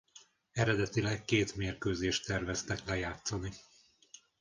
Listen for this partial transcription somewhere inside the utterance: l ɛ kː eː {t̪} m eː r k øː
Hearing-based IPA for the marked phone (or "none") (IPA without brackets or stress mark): t̪